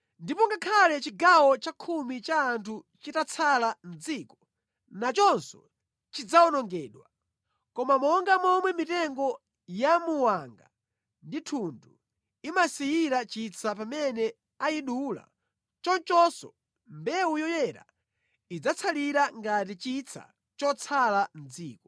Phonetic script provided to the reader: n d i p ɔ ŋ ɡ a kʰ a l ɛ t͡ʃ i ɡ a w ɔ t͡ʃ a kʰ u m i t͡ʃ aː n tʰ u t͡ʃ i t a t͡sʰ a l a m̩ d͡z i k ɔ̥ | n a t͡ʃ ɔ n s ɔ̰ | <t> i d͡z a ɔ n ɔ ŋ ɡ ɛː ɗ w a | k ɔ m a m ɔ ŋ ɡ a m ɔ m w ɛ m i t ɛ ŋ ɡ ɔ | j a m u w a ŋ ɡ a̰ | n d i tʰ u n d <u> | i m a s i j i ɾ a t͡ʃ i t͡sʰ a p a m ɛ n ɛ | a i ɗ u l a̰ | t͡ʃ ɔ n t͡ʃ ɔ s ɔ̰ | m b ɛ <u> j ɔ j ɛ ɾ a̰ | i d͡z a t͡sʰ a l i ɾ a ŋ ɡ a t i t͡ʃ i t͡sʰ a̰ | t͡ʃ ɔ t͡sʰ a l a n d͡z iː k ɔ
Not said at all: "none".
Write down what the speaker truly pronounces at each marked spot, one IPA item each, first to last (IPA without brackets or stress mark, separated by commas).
t͡ʃ, u, u